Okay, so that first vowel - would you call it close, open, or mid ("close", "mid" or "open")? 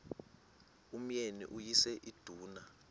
close